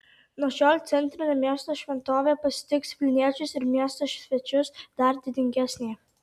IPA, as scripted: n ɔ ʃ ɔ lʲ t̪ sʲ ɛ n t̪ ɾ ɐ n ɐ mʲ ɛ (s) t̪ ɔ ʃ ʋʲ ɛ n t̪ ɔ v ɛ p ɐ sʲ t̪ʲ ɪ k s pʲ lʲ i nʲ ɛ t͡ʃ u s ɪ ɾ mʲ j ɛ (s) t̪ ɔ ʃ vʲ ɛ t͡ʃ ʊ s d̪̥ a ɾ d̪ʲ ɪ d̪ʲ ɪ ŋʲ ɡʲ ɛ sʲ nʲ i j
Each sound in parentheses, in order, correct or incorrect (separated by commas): correct, correct